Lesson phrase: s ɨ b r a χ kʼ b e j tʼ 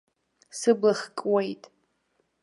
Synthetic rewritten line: s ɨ b l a χ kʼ w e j tʼ